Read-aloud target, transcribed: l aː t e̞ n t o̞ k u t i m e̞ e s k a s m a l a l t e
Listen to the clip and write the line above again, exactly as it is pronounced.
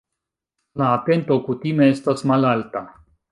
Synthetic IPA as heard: l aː t e̞ n t o̞ k u t i m e̞ e s t a s m a l a l t a

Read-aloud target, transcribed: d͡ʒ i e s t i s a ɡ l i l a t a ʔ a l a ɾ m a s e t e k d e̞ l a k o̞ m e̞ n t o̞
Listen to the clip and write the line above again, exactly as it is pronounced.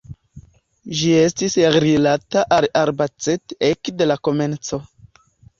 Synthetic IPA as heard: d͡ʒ i e s t i s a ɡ ɾ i l a t a ʔ a l a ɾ b a t͡s e t e k d e̞ l a k o̞ m e̞ n t͡s o̞

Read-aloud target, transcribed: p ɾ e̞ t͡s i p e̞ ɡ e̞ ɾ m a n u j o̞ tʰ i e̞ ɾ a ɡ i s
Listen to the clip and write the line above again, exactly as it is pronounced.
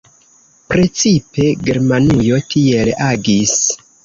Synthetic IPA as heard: p ɾ e̞ t͡s i p e̞ ɡ e̞ ɾ m a n u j o̞ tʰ i e̞ l a ɡ i s

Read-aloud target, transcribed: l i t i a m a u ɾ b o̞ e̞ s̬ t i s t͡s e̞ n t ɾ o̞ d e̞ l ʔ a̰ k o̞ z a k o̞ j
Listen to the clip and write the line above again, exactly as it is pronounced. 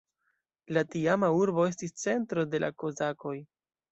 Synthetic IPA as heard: l a t i a m a u ɾ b o̞ e̞ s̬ t i s t͡s e̞ n t ɾ o̞ d e̞ l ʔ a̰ k o̞ z a k o̞ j

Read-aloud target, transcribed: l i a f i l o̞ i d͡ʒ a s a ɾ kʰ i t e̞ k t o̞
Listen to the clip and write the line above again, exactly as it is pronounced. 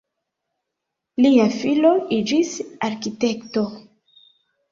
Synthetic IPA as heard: l i a f i l o̞ i d͡ʒ i s a ɾ k i t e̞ k t o̞

